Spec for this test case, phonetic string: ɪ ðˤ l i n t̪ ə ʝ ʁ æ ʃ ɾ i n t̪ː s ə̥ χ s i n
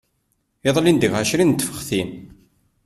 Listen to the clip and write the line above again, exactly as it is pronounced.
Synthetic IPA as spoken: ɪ ðˤ l i n d̪ ə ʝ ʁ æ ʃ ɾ i n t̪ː f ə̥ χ θ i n